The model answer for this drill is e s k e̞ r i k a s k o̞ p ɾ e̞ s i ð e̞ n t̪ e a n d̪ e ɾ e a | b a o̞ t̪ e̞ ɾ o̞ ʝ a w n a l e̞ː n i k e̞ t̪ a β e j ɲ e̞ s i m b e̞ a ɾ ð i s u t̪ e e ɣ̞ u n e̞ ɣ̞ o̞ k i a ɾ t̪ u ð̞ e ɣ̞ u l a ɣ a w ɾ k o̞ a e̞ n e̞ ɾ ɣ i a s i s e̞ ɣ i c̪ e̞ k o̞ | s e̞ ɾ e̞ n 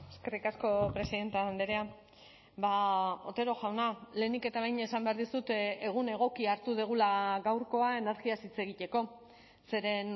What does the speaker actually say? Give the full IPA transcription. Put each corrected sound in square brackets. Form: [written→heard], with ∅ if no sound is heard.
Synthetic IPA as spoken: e s k e̞ r i k a s k o̞ p ɾ e̞ s i ð e̞ n t̪ e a n d̪ e ɾ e a | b a o̞ t̪ e̞ ɾ o̞ ʝ a w n a l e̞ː n i k e̞ t̪ a β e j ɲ e̞ s [i→a] m b e̞ a ɾ ð i s u t̪ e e ɣ̞ u n e̞ ɣ̞ o̞ k i a ɾ t̪ u ð̞ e ɣ̞ u l a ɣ a w ɾ k o̞ a e̞ n e̞ ɾ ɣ i a s i [s→t͡s] e̞ ɣ i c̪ e̞ k o̞ | s e̞ ɾ e̞ n